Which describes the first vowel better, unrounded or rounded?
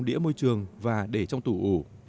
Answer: unrounded